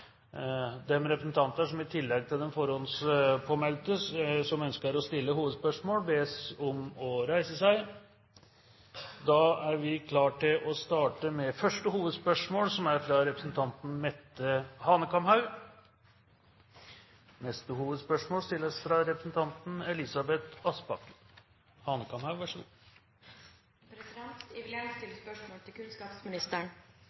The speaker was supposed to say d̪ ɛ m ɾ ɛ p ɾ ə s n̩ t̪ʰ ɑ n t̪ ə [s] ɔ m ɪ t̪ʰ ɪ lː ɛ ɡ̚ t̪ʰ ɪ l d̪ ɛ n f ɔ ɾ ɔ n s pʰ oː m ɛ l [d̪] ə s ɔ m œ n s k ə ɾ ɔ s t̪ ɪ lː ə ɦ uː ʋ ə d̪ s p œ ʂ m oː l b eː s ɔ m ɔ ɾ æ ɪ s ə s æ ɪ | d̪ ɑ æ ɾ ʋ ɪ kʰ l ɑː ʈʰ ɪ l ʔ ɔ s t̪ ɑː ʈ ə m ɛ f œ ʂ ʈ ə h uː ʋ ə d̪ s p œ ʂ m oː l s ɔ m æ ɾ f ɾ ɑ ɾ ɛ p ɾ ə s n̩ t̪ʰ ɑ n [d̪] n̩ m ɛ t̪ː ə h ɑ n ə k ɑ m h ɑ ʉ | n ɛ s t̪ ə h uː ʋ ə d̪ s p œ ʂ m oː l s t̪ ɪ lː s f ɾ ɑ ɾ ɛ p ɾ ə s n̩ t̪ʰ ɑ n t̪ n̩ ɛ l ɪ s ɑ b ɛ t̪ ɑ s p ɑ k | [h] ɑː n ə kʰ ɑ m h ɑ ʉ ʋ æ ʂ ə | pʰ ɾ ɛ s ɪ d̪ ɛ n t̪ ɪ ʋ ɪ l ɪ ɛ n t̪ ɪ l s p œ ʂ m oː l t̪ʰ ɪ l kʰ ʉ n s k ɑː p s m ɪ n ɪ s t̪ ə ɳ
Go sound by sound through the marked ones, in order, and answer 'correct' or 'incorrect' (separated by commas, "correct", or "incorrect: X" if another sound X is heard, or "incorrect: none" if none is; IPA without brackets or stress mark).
incorrect: ʂ, incorrect: t̪, incorrect: t̪, correct